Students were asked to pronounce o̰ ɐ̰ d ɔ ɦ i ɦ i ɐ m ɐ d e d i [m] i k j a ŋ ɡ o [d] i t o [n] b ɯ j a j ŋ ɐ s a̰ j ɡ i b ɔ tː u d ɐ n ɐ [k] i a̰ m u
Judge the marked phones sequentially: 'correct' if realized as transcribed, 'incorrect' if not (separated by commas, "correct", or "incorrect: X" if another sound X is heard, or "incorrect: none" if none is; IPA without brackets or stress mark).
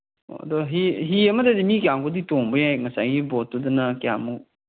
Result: correct, correct, incorrect: ŋ, correct